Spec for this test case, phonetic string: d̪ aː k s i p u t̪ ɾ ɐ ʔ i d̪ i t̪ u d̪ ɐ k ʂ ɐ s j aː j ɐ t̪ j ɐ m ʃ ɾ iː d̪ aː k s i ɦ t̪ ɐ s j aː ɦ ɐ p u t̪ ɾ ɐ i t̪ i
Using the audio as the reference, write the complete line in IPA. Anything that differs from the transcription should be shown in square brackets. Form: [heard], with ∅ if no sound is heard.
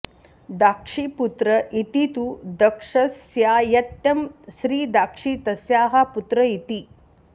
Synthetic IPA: d̪ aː k [ʂ] i p u t̪ ɾ ɐ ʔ i [t̪] i t̪ u d̪ ɐ k ʂ ɐ s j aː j ɐ t̪ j ɐ m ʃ ɾ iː d̪ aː k [ʂ] i [∅] t̪ ɐ s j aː ɦ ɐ p u t̪ ɾ ɐ i t̪ i